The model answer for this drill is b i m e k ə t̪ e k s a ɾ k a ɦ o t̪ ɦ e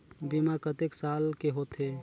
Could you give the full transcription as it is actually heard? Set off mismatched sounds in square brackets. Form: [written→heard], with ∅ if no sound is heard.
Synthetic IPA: b i m [e→a] k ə t̪ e k s a [ɾ→l] k [a→e] ɦ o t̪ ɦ e